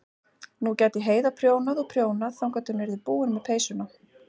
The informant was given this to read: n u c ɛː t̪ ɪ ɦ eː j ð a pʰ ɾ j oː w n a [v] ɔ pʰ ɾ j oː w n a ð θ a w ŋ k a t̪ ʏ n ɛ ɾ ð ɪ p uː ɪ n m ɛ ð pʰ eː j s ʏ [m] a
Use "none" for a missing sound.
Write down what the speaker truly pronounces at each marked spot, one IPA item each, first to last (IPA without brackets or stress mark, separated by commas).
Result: ð, n